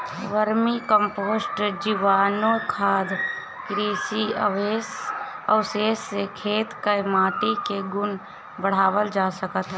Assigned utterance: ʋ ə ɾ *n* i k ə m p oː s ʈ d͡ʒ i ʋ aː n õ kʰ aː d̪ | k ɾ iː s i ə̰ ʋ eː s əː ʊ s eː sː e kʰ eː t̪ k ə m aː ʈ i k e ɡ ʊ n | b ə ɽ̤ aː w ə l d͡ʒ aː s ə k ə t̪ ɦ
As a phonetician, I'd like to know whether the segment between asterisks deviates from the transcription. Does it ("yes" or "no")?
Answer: yes